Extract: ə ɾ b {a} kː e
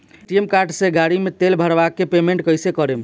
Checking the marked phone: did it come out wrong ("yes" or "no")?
no